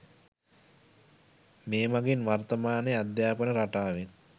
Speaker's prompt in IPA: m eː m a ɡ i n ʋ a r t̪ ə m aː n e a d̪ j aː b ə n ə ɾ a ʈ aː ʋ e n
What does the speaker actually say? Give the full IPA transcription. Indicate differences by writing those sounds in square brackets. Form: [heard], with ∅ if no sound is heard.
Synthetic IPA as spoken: m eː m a ɡ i n ʋ a r t̪ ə m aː n e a d̪ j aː [p] ə n ə ɾ a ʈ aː ʋ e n